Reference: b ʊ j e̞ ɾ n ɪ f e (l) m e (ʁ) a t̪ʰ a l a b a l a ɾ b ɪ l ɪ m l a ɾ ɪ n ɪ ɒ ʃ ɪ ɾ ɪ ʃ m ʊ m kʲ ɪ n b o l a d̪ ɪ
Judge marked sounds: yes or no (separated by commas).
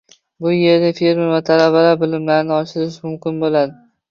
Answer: no, no